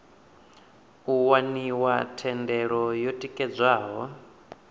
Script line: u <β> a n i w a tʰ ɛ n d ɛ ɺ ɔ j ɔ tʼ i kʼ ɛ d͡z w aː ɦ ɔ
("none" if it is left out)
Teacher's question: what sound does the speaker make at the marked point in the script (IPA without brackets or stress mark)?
w